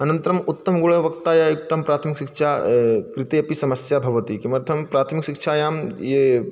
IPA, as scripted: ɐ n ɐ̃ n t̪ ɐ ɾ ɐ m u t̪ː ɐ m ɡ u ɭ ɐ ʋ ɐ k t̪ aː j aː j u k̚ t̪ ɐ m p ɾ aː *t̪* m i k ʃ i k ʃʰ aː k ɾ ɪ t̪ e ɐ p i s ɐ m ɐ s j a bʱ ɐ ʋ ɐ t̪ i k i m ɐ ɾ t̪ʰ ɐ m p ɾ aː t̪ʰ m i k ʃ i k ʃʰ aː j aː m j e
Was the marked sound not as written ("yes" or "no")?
yes